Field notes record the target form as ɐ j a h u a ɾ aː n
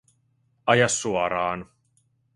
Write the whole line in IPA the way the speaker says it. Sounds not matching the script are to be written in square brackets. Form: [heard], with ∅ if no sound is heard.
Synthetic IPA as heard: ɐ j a [s] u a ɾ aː n